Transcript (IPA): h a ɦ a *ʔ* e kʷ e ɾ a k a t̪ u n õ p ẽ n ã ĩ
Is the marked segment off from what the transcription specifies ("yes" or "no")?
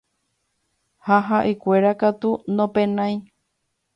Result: no